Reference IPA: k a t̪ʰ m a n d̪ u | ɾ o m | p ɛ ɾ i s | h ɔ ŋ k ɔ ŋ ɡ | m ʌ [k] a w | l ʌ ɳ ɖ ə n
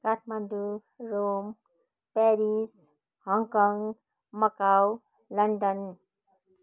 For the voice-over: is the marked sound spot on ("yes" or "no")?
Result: yes